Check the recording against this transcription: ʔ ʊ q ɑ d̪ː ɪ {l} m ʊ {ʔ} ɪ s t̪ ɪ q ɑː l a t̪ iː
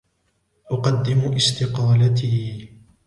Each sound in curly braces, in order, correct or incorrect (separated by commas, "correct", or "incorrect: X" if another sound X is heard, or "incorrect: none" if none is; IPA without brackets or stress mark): incorrect: none, correct